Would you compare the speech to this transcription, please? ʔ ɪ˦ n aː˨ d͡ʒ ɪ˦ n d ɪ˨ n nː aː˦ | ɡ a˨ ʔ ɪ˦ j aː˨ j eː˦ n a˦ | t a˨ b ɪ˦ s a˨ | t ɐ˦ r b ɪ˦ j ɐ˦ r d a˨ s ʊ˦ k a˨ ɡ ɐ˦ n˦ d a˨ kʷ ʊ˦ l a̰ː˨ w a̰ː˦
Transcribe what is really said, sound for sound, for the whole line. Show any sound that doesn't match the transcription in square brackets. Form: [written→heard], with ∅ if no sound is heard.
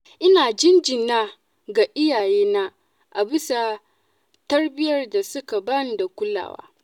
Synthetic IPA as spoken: ʔ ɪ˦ n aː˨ d͡ʒ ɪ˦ n [d→d͡ʒ] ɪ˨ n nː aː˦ | ɡ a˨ ʔ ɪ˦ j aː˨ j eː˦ n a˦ | [t→ʔ] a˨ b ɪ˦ s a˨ | t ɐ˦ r b ɪ˦ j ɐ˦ r d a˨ s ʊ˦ k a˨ [ɡ→b] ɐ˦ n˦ d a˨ kʷ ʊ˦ l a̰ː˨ w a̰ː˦